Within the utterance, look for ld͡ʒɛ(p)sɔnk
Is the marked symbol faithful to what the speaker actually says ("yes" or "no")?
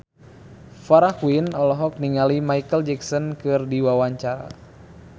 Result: no